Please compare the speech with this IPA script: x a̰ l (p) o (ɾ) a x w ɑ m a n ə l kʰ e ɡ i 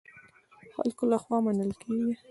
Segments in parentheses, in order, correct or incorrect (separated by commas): incorrect, incorrect